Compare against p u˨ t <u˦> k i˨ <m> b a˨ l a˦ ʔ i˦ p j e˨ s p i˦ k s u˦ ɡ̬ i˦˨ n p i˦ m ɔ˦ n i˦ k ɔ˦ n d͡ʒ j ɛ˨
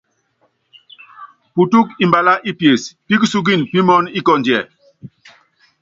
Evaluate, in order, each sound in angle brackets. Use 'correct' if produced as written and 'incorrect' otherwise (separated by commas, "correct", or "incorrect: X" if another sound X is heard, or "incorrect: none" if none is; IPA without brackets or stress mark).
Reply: correct, correct